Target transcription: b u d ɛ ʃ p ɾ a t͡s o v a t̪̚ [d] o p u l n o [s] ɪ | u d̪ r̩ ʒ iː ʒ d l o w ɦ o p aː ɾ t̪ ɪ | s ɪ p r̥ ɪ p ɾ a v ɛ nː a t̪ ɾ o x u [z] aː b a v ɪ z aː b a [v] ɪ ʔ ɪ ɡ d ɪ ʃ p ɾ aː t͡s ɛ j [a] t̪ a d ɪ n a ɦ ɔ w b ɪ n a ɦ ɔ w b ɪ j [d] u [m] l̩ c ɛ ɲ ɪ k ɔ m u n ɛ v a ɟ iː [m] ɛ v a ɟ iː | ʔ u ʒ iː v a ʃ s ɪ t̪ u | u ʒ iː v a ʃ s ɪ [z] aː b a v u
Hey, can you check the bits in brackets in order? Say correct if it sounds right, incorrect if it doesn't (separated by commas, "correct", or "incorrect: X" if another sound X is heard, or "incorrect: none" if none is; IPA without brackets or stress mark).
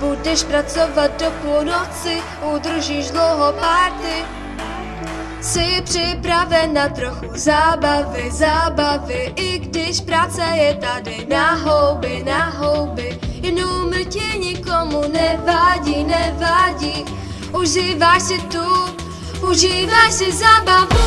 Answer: correct, incorrect: t͡s, correct, correct, incorrect: ɛ, incorrect: n, correct, incorrect: n, correct